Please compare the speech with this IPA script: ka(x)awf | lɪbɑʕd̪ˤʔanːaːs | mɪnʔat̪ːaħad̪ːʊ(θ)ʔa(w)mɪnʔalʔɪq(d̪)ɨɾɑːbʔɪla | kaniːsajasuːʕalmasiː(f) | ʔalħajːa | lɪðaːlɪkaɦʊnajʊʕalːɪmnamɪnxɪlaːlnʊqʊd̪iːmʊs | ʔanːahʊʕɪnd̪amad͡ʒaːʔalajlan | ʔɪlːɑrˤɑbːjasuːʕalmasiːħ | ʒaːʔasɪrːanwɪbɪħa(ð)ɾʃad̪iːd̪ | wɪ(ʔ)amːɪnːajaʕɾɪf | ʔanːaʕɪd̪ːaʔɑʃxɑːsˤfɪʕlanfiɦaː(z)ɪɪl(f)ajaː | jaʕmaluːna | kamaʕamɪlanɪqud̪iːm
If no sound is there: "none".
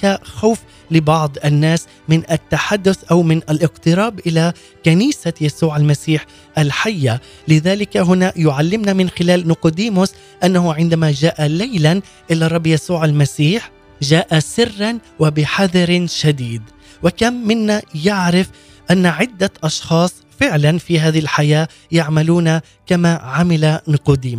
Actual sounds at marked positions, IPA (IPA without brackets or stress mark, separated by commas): x, θ, w, t̪, ħ, ð, k, ð, ħ